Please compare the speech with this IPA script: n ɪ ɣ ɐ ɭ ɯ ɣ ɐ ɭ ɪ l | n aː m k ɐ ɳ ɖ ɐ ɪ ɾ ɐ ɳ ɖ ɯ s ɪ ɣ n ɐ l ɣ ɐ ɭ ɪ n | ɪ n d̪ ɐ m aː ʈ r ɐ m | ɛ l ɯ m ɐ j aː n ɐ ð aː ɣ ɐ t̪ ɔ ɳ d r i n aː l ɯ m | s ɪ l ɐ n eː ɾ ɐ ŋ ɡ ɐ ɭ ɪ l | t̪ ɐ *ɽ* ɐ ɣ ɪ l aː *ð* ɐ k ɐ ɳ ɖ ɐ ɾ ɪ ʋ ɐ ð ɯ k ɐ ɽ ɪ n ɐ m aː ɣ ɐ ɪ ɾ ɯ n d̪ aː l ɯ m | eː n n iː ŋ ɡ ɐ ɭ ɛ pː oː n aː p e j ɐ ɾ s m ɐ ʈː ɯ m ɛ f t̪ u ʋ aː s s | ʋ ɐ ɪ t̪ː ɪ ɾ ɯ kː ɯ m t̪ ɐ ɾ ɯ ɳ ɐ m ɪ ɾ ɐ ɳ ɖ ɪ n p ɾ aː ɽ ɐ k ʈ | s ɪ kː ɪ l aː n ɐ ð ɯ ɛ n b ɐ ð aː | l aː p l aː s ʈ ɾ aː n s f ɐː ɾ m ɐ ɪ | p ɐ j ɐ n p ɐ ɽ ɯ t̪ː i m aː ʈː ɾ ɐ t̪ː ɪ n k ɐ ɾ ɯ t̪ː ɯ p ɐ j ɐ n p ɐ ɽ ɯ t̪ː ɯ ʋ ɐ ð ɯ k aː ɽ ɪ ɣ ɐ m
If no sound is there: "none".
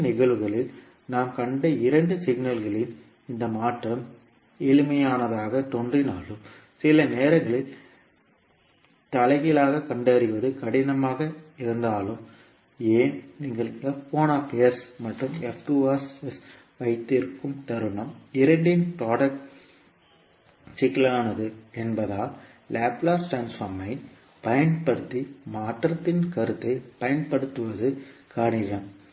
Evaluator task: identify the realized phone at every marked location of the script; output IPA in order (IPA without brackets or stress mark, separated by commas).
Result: l, ɣ